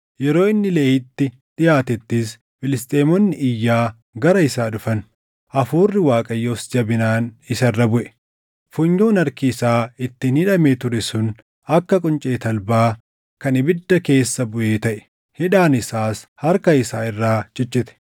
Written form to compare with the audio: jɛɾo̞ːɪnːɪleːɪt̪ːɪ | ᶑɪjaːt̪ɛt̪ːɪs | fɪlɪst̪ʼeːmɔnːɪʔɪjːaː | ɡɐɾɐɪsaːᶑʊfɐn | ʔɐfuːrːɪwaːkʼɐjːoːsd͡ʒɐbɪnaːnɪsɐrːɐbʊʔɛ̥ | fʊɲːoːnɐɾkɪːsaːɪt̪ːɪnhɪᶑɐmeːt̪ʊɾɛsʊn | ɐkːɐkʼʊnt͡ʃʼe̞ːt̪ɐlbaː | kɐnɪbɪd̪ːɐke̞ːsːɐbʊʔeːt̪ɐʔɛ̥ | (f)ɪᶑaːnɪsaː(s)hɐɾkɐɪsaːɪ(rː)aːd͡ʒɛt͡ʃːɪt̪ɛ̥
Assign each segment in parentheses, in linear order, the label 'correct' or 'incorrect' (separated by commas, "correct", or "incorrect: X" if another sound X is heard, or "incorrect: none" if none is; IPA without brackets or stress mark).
incorrect: h, correct, correct